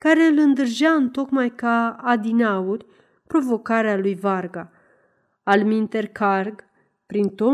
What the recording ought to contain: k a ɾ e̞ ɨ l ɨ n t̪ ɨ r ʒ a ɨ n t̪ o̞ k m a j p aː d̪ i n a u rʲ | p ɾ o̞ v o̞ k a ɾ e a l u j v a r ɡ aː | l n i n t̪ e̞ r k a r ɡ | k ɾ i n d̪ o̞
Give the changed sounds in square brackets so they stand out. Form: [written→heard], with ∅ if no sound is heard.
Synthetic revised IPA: k a ɾ e̞ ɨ l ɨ n [t̪→d̪] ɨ r ʒ a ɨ n t̪ o̞ k m a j [p→k] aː d̪ i n a u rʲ | p ɾ o̞ v o̞ k a ɾ e a l u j v a r ɡ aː | l [n→m] i n t̪ e̞ r k a r ɡ | [k→p] ɾ i n [d̪→t̪] o̞